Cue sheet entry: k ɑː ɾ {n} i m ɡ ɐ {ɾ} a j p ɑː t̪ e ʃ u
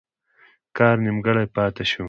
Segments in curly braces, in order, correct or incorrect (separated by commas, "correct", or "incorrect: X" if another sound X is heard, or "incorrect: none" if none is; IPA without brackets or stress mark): correct, incorrect: ɽ